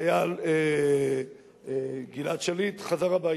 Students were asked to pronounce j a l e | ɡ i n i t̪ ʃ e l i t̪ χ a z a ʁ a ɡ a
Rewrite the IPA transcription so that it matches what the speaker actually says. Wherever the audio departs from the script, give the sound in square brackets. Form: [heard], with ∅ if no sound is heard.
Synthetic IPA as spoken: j a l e | ɡ i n [a] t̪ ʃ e l i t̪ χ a z a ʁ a [b] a